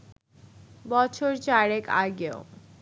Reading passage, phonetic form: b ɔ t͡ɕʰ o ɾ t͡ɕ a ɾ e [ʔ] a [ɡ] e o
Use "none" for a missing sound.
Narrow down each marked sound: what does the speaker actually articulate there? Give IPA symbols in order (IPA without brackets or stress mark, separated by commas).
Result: k, ɡ